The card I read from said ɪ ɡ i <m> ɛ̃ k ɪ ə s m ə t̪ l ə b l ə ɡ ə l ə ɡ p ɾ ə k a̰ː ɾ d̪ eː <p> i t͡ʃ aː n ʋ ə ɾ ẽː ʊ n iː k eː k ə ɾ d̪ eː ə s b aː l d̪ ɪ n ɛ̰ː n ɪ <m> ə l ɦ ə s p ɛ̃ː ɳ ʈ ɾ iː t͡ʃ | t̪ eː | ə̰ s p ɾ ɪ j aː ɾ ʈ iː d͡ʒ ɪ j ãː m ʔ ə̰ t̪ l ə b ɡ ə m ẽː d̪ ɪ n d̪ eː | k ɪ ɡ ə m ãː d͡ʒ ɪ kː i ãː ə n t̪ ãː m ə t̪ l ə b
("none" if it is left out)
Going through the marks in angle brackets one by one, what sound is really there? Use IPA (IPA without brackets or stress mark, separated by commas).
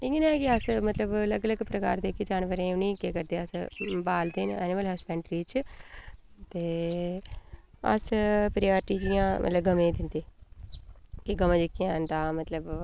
n, k, m